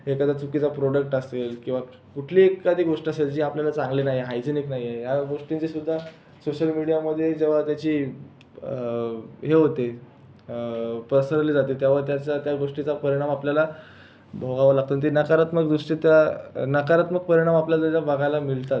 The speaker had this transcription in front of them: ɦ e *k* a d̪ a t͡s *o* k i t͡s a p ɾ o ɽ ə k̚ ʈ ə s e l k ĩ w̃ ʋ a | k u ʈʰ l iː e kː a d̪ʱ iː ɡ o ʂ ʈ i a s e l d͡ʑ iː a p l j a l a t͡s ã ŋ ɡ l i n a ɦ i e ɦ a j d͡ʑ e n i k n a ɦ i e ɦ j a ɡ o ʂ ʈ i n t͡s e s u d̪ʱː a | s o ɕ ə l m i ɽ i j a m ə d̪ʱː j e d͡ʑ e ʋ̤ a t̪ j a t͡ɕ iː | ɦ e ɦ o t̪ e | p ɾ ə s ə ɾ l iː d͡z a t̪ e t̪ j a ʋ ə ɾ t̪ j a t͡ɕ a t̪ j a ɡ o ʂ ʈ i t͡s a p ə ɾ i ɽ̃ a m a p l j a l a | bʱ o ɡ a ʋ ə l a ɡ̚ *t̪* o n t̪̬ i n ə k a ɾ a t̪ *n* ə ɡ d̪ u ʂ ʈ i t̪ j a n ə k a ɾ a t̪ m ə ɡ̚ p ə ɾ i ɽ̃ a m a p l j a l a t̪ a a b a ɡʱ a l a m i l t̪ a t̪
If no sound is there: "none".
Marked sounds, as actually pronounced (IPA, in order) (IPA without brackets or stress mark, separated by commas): k, u, t̪, m